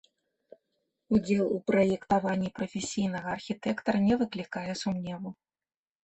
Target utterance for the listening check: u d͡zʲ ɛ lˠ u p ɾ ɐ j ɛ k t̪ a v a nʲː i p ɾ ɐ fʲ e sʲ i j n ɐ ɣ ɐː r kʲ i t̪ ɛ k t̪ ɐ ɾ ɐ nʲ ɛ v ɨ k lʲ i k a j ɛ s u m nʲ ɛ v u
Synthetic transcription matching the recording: u d͡zʲ ɛ lˠ u p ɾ ɐ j ɛ k t̪ a v a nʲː i p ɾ ɐ fʲ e sʲ i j n ɐ ɣ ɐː r xʲ i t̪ ɛ k t̪ ɐ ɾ ɐ nʲ ɛ v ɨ k lʲ i k a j ɛ s u m nʲ ɛ v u

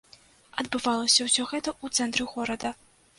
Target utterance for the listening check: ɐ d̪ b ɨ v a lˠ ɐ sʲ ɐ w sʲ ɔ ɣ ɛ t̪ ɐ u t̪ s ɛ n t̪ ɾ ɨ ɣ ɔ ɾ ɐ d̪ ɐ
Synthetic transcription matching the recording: ɐ d̪ b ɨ v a lˠ ɐ sʲ ɐ w sʲ ɔ ɣ ɛ t̪ ɐ u t̪ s ɛ n t̪ ɾ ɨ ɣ ɔ ɾ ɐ d̪ ɐ

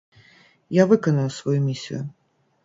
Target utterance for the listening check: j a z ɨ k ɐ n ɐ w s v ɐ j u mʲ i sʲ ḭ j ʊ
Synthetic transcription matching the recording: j a v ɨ k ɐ n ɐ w s v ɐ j u mʲ i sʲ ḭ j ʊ

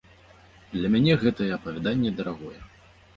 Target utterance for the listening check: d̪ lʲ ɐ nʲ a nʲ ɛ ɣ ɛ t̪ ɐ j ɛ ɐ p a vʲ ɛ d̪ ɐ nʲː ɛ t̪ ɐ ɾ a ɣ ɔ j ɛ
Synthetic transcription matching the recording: d̪ lʲ ɐ mʲ a nʲ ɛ ɣ ɛ t̪ ɐ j ɛ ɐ p ɐ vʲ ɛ d̪ a nʲː ɛ d̪ ɐ ɾ a ɣ ɔ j ɛ

